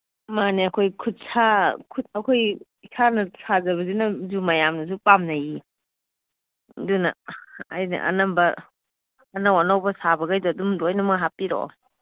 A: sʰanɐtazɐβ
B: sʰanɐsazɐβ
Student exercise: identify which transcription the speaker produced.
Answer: B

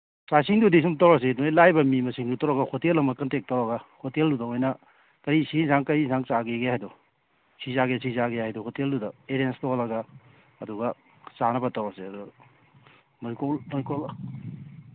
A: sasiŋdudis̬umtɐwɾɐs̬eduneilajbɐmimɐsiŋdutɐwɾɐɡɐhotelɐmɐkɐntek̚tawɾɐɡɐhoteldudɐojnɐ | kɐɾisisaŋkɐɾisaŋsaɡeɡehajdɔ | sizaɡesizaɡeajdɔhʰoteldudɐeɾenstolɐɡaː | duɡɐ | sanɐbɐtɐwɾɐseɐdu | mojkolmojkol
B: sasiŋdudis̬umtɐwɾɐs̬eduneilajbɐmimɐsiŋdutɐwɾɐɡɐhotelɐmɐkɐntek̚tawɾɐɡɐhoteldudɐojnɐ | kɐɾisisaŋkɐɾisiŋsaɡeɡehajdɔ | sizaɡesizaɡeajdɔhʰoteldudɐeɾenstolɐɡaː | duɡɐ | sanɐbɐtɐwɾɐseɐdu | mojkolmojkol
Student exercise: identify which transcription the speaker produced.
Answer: A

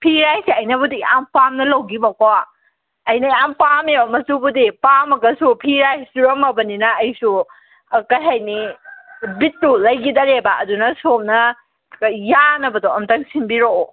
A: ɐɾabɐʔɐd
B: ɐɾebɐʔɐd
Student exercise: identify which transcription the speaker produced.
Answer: B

